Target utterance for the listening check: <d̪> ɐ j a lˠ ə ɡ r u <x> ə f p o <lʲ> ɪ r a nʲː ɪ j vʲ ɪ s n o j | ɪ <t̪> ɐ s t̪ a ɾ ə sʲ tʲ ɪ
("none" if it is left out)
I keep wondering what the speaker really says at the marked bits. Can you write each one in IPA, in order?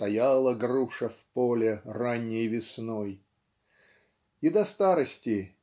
t̪, ʂ, lʲ, d̪

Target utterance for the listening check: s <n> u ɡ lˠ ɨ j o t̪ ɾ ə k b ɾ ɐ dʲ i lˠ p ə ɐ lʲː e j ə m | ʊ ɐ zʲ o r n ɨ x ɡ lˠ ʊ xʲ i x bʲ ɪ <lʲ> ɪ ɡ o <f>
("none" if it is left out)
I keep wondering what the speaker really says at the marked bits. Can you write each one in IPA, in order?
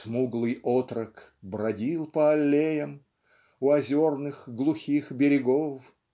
m, ɾʲ, f

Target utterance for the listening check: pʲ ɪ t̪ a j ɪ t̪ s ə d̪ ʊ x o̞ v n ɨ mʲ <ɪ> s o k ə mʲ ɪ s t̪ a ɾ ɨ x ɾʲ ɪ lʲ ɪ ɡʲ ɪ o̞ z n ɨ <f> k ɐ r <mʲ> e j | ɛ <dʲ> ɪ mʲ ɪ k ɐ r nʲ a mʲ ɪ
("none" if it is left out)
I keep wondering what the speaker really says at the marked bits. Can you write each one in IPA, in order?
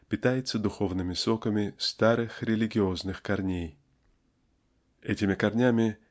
ɪ, x, nʲ, tʲ

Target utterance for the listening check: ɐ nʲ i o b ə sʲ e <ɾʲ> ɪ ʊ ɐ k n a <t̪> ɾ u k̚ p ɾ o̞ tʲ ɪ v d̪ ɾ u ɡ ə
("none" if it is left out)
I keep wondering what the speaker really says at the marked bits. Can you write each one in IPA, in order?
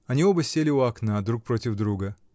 lʲ, d̪

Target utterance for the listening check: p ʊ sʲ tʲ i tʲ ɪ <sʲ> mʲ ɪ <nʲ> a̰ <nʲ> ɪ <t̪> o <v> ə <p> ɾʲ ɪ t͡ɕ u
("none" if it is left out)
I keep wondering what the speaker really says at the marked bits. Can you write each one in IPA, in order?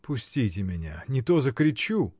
none, nʲ, nʲ, t̪, z, k

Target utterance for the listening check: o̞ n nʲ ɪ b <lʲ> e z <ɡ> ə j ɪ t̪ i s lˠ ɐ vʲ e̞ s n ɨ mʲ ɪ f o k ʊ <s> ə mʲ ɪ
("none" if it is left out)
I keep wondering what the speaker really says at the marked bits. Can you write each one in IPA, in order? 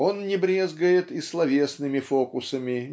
ɾʲ, ɡ, s

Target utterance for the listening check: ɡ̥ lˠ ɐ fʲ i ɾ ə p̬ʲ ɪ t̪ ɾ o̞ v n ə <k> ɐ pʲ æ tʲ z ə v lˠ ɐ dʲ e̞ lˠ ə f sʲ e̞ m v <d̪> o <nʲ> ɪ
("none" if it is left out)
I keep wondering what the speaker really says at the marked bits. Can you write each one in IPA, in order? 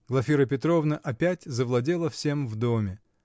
ʔ, d̪, mʲ

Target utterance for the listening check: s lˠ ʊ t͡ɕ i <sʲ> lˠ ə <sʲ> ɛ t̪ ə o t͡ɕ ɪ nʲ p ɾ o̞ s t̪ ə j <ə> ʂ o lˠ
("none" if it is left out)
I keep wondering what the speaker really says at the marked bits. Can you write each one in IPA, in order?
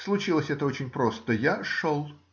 none, sʲ, a

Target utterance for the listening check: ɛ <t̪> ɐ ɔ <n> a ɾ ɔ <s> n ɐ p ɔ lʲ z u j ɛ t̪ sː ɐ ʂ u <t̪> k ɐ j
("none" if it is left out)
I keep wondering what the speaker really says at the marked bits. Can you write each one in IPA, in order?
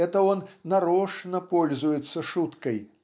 t̪, nː, ʂ, t̪

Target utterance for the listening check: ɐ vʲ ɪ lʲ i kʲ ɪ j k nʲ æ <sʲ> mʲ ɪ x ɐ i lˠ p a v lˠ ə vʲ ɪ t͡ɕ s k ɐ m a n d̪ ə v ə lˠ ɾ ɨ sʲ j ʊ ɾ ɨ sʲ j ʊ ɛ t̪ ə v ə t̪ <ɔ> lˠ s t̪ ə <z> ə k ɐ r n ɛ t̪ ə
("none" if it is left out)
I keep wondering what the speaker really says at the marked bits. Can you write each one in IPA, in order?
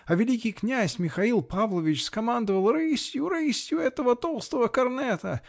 sʲ, o, v

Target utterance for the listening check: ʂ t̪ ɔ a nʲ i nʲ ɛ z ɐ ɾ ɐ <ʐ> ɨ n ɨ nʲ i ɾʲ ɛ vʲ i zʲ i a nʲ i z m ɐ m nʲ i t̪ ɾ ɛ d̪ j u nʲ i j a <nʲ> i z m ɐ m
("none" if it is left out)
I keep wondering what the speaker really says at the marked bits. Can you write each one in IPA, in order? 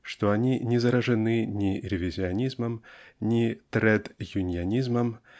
ʐ, nʲ

